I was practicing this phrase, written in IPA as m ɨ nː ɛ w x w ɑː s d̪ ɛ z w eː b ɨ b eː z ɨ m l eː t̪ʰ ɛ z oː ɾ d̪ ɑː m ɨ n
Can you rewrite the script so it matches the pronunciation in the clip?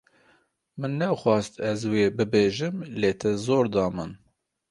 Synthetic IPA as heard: m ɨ nː ɛ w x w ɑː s t̪ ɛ z w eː b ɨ b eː ʒ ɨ m l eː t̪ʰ ɛ z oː ɾ d̪ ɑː m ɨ n